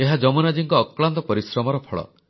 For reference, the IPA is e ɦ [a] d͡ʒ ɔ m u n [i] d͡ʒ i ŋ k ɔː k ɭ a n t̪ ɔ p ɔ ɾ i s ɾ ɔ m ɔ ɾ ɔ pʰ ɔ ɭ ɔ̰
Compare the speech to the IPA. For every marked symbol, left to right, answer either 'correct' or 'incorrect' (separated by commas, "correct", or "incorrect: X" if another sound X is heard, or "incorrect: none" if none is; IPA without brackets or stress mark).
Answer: correct, incorrect: a